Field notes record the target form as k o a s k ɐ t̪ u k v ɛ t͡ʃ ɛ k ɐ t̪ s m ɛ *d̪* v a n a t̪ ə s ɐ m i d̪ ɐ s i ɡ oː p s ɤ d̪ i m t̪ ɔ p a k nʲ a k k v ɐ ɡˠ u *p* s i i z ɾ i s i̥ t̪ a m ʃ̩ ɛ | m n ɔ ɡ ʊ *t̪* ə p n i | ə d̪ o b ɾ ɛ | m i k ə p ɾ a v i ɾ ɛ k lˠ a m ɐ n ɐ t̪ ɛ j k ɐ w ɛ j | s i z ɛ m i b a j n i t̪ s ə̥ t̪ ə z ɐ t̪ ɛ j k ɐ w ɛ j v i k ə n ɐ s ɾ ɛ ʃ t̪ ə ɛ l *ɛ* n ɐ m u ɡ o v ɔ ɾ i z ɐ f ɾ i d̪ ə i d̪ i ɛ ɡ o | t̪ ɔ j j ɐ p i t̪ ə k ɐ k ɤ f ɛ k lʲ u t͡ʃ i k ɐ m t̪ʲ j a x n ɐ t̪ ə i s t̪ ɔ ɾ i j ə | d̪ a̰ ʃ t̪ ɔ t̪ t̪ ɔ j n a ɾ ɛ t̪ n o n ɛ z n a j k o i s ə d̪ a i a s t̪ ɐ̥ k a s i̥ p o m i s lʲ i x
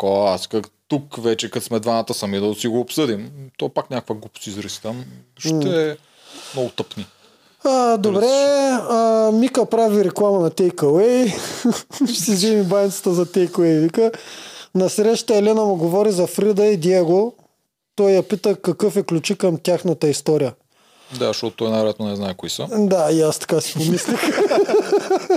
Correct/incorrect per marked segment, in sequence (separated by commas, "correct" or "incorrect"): correct, correct, correct, correct